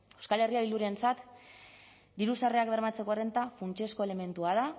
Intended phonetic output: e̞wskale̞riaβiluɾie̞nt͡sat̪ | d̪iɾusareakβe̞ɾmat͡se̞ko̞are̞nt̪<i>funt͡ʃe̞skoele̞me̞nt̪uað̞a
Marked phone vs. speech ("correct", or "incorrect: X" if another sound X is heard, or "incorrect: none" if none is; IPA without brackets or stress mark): incorrect: a